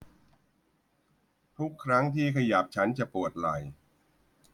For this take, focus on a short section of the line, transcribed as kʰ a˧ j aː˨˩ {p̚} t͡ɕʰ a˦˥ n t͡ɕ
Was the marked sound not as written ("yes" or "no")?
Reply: no